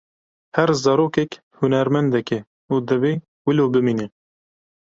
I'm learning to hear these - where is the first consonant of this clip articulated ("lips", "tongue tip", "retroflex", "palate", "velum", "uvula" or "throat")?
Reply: throat